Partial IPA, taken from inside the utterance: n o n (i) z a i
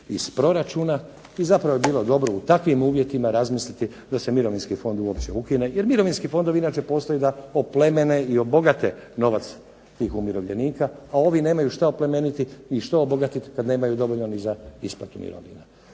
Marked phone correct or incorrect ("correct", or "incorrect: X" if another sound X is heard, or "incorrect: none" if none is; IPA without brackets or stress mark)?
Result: correct